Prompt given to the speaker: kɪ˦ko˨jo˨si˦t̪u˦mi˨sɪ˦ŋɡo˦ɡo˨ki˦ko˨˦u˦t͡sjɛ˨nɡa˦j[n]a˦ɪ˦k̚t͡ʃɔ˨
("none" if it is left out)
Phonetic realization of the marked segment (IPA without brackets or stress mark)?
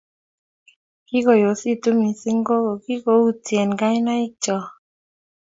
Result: n